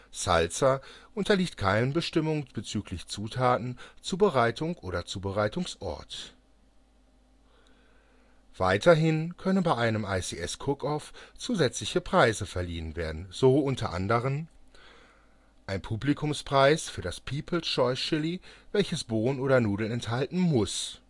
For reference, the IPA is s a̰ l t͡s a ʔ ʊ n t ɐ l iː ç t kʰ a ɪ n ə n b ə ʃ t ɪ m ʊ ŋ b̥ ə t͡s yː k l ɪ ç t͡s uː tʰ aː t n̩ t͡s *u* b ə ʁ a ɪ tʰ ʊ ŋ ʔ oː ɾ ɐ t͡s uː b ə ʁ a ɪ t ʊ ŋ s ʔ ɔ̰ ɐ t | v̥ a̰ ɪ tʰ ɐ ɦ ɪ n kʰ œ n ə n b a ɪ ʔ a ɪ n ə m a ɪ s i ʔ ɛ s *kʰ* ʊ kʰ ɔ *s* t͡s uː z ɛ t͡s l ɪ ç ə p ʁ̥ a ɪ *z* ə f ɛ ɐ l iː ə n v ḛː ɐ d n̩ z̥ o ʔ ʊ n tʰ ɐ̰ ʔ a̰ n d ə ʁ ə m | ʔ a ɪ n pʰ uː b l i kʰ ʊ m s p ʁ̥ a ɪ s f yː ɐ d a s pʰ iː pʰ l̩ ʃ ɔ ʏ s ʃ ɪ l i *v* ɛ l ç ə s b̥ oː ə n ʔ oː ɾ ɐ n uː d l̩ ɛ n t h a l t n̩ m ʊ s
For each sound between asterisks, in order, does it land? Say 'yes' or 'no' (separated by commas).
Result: no, yes, no, yes, yes